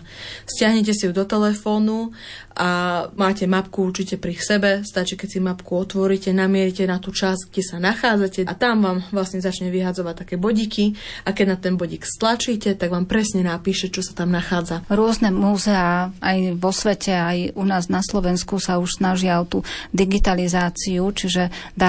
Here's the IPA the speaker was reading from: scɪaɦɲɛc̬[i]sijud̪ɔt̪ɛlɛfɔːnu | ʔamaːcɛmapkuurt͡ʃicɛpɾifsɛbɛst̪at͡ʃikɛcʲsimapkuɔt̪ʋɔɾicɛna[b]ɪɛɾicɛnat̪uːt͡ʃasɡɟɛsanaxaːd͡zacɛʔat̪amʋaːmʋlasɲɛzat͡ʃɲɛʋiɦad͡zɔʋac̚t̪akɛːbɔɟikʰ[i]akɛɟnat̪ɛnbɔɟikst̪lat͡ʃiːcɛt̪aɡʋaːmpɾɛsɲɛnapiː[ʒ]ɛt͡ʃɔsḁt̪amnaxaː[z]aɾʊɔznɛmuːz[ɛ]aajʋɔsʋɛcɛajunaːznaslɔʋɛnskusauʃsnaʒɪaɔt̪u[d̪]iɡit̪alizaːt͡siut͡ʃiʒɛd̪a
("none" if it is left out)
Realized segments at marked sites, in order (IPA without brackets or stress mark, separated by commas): ɛ, m, i, ʃ, d͡z, ɛ, d̪